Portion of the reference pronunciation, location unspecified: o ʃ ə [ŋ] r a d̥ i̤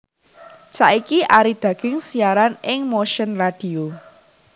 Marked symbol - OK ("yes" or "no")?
no